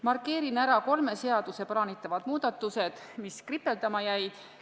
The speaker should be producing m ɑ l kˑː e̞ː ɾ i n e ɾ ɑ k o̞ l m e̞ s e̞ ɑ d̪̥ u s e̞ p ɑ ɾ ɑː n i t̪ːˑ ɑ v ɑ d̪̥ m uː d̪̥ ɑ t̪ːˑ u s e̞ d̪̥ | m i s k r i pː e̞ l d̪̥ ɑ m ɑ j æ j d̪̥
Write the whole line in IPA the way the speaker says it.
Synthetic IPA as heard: m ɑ r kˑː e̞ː ɾ i n æ ɾ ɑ k o̞ l m e̞ s e̞ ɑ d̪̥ u s e̞ p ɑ ɾ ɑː n i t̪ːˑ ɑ v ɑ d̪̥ m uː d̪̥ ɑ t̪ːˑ u s e̞ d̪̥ | m i s k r i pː e̞ l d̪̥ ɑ m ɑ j æ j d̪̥